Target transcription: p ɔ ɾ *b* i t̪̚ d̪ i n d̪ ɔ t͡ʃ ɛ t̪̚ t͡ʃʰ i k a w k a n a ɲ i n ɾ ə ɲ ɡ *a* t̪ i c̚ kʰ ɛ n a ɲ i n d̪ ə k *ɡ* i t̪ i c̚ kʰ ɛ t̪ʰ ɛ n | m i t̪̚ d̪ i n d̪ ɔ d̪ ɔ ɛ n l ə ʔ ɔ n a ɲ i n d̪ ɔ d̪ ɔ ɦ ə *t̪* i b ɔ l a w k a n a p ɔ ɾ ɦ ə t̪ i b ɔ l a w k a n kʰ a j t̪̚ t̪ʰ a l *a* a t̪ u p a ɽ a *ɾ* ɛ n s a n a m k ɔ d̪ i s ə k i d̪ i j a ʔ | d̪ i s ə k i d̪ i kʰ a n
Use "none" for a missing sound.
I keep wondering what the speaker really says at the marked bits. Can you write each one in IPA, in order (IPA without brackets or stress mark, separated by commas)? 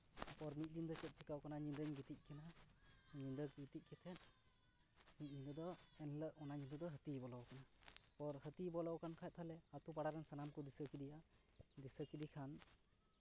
m, i, ɡ, t̪, ɛ, ɾ